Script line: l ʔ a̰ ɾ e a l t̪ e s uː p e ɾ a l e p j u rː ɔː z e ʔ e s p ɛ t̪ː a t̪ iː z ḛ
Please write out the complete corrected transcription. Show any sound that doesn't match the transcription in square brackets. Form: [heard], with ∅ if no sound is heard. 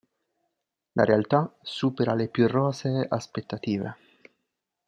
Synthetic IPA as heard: l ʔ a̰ ɾ e a l t̪ [a] s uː p e ɾ a l e p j u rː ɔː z e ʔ [a] s p [e] t̪ː a t̪ iː [v] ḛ